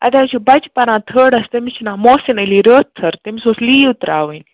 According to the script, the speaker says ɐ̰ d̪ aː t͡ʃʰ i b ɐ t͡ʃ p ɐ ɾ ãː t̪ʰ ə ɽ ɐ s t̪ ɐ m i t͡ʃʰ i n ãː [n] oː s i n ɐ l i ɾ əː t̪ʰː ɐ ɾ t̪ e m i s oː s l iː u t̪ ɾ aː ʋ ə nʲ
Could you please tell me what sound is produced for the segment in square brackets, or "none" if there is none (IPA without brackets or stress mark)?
m